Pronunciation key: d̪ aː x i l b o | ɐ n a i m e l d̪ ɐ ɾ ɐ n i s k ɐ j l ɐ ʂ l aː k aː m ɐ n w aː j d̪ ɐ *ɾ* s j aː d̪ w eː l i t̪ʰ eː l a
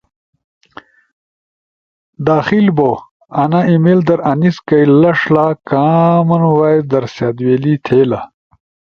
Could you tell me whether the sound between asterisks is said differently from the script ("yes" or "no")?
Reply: no